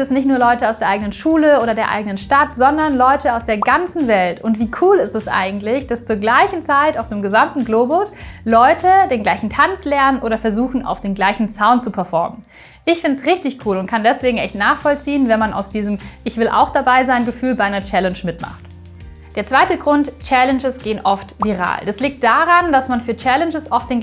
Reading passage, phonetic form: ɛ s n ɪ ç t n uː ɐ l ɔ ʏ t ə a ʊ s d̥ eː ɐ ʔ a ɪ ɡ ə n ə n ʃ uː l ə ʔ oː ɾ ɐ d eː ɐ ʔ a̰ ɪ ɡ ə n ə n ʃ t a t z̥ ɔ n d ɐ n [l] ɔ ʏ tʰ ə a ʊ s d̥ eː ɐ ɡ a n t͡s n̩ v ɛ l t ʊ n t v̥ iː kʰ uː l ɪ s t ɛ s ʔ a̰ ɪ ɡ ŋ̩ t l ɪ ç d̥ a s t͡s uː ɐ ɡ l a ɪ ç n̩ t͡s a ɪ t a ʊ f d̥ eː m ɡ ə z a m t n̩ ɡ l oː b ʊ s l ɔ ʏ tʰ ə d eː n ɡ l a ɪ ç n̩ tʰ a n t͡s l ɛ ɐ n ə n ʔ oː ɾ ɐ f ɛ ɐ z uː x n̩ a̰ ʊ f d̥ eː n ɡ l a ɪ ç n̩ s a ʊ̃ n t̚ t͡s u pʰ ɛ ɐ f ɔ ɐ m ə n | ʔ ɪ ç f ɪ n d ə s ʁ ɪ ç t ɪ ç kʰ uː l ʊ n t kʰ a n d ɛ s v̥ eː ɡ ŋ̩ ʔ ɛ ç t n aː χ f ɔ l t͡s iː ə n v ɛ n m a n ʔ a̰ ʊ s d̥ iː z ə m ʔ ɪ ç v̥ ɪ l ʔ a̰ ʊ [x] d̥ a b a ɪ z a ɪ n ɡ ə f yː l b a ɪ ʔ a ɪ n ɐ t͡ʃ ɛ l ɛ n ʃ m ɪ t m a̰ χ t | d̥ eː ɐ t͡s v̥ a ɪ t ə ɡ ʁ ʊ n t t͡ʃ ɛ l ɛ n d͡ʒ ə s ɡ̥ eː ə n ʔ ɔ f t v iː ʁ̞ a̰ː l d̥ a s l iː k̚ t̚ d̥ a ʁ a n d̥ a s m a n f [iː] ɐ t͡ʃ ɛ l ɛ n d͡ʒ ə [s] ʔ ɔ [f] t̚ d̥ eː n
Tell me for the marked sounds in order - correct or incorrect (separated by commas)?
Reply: correct, correct, incorrect, correct, correct